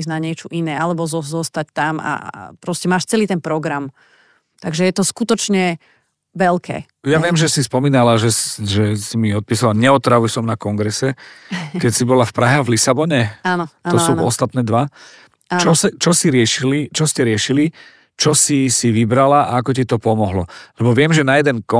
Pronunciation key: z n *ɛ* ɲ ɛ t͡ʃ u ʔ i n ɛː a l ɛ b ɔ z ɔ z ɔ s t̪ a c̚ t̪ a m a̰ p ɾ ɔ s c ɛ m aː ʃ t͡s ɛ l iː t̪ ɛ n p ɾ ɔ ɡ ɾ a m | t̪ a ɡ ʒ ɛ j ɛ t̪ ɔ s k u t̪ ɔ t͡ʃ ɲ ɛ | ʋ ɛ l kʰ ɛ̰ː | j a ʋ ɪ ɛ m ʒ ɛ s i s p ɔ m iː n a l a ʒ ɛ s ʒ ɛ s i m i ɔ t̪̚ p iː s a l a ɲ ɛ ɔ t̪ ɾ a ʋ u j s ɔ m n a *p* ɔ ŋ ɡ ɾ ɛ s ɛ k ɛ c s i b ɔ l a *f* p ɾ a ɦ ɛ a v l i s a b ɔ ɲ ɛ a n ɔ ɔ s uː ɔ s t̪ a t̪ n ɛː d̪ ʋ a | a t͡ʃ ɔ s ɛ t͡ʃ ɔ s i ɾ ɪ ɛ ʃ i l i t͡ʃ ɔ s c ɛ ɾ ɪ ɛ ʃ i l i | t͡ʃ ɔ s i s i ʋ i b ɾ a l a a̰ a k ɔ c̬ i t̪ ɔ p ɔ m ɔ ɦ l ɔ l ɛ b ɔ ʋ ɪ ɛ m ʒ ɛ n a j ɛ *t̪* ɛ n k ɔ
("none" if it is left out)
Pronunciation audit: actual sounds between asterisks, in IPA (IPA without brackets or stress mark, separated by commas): a, k, f, d̪